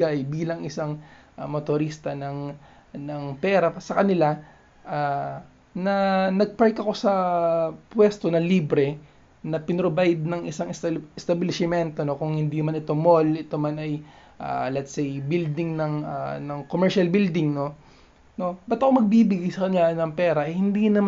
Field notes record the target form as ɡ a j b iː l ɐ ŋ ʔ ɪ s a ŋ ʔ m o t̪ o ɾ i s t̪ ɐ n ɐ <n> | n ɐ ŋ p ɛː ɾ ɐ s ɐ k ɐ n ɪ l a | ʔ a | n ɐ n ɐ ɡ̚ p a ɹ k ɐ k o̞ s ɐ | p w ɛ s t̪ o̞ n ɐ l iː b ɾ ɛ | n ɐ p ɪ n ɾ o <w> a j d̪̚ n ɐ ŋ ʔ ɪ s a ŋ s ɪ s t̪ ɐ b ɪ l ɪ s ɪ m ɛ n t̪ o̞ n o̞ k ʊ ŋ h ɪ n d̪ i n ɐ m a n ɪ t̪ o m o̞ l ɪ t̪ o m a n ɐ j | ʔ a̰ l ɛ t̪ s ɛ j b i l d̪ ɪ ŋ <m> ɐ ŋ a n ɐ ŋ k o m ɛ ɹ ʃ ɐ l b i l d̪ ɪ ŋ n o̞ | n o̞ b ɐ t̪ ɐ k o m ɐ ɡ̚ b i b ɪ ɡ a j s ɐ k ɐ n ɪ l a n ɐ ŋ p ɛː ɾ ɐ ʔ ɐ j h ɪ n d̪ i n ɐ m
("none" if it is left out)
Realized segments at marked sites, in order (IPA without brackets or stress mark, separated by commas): ŋ, b, n